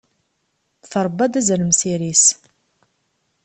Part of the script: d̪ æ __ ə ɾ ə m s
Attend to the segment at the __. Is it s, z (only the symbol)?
z